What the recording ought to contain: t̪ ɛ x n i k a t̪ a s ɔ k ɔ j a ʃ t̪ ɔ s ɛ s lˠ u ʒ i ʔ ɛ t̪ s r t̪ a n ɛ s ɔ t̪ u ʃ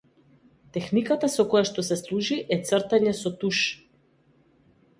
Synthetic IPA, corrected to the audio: t̪ ɛ x n i k a t̪ a s ɔ k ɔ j a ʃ t̪ ɔ s ɛ s lˠ u ʒ i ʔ ɛ t̪ s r t̪ a ɲ ɛ s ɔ t̪ u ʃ